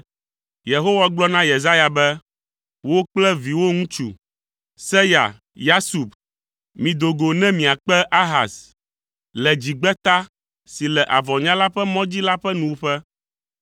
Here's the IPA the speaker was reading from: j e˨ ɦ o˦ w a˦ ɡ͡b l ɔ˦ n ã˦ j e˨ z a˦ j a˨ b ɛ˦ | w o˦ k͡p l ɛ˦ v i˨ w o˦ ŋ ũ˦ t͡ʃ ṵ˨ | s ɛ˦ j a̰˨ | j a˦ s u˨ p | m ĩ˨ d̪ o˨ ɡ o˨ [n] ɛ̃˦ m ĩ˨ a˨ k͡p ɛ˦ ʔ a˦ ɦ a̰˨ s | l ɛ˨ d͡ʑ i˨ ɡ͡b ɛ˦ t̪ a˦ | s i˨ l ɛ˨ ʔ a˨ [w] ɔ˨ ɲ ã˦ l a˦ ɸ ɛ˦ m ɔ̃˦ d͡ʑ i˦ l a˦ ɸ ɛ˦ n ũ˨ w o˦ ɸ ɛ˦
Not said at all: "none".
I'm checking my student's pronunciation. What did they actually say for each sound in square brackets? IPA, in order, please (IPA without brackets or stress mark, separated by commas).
n, v